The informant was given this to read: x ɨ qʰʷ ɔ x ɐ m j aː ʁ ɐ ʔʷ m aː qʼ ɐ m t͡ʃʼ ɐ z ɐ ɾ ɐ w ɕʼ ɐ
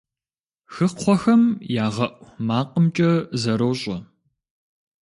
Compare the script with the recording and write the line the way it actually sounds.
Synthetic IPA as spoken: x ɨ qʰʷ ɔ x ɐ m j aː ʁ ɐ ʔʷ m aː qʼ ə m t͡ʃʼ ɐ z ɐ ɾ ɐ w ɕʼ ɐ